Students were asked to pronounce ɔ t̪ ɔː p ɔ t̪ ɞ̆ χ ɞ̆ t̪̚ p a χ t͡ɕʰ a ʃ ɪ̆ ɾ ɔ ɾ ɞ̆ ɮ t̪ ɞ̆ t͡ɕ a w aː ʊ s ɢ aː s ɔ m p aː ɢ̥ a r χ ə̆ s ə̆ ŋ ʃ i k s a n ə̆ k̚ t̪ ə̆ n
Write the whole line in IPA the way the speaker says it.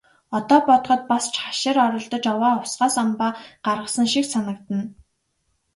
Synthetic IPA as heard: ɔ t̪ ɔː p ɔ t̪ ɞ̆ χ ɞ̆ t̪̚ p a s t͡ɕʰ a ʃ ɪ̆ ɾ ɔ ɾ ɞ̆ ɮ t̪ ɞ̆ t͡ɕ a w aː ʊ s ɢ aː s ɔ m p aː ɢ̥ a r ʁ ə̆ s ə̆ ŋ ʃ i k s a n ə̆ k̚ t̪ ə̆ n